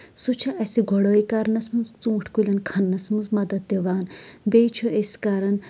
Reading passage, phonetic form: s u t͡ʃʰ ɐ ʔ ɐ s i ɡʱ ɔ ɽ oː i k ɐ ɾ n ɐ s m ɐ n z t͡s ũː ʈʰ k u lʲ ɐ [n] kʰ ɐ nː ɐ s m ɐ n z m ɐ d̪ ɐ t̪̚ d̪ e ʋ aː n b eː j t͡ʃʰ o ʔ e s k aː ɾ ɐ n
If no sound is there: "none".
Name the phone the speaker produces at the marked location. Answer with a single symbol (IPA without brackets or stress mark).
n